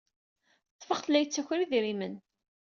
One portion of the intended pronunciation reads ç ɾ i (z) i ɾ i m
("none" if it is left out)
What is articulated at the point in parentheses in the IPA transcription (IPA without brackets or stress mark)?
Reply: ð